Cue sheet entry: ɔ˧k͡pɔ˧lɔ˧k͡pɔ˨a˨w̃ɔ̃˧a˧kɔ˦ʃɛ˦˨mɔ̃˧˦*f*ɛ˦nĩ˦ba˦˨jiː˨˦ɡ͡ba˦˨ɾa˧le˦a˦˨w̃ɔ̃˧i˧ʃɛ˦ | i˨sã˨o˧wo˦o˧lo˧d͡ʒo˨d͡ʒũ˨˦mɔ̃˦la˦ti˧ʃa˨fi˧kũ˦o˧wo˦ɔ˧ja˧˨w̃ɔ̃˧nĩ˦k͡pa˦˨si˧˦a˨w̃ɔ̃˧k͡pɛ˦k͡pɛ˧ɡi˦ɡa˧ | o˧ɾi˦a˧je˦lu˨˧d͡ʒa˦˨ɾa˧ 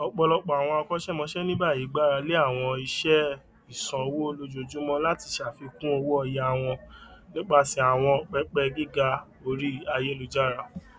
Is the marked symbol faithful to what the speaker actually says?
no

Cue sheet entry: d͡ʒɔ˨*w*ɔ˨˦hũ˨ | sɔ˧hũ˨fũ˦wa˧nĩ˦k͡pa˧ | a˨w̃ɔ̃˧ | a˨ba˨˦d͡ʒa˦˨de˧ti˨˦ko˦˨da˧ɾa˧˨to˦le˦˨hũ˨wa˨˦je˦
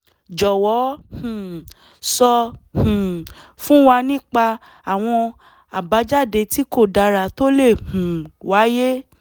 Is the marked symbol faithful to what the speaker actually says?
yes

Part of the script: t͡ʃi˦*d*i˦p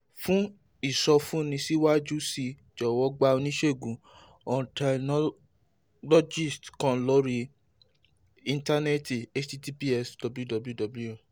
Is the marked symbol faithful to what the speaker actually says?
no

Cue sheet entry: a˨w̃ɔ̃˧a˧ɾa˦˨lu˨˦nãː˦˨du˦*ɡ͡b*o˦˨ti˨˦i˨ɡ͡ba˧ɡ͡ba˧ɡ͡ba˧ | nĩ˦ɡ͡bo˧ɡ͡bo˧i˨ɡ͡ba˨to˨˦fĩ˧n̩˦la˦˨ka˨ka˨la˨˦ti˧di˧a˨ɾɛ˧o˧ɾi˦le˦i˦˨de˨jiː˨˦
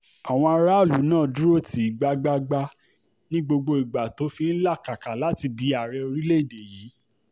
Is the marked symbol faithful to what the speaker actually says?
no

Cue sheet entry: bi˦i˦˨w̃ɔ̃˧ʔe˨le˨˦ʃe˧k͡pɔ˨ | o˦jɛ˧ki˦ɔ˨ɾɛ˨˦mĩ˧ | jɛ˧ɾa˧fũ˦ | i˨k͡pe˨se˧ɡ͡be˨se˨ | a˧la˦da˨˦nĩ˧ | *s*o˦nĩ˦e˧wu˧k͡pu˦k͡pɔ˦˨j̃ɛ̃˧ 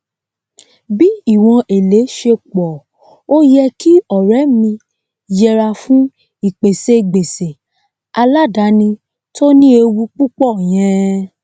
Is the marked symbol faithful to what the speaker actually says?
no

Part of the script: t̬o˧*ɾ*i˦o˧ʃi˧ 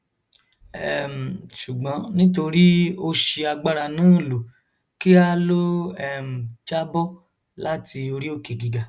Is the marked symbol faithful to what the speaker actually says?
yes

